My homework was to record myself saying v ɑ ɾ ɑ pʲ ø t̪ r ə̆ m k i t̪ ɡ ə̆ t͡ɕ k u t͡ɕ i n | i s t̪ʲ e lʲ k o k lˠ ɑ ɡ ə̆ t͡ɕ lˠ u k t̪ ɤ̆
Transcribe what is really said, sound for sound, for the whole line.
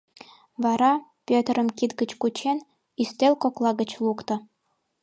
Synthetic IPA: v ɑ ɾ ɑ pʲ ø t̪ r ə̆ m k i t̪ ɡ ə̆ t͡ɕ k u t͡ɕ e n | i s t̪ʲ e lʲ k o k lˠ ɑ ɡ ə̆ t͡ɕ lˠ u k t̪ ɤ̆